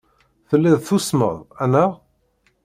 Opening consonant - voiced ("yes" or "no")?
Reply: no